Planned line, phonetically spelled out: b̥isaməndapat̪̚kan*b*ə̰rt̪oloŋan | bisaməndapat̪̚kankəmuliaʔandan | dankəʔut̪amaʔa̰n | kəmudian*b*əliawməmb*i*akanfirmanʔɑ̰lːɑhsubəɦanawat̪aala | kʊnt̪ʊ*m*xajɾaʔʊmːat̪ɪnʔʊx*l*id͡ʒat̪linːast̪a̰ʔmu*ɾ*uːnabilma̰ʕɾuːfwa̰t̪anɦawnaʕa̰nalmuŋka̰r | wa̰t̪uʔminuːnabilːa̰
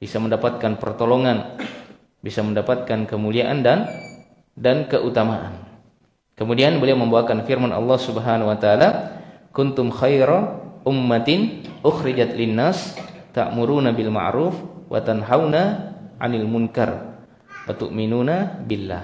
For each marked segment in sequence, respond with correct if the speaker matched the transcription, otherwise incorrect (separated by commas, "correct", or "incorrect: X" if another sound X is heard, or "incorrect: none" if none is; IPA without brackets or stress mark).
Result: incorrect: p, correct, incorrect: a, correct, incorrect: ɾ, correct